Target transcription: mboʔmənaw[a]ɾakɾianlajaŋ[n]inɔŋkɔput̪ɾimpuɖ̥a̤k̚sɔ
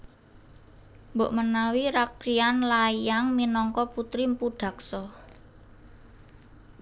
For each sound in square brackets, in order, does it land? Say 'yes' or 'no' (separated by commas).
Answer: no, no